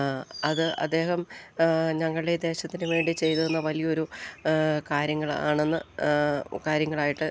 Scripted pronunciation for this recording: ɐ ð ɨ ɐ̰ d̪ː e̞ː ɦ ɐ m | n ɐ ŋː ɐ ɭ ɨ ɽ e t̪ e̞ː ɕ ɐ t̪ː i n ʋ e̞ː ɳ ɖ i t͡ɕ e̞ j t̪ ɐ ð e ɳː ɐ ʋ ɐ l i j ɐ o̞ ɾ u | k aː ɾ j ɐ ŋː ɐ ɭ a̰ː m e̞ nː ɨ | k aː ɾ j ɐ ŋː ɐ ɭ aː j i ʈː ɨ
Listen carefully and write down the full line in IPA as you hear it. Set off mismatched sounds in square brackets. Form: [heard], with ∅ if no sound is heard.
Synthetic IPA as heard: ɐ ð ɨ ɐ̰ d̪ː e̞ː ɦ ɐ m | [ɲ] ɐ ŋː ɐ ɭ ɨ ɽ e [d̪] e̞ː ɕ ɐ t̪ː i n ʋ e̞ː ɳ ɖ i t͡ɕ e̞ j t̪ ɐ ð e [nː] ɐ ʋ ɐ l i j ɐ o̞ ɾ u | k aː ɾ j ɐ ŋː ɐ ɭ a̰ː [ɳ] e̞ nː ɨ | k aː ɾ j ɐ ŋː ɐ ɭ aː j i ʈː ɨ